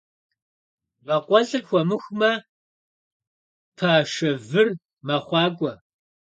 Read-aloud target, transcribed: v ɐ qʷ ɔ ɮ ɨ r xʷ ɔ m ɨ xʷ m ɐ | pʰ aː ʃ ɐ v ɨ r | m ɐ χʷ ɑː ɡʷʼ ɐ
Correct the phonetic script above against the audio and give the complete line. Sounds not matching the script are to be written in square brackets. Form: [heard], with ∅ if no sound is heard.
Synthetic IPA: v ɐ qʷ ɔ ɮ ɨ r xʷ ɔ m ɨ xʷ m ɐ | pʰ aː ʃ ɐ v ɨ r | m ɐ χʷ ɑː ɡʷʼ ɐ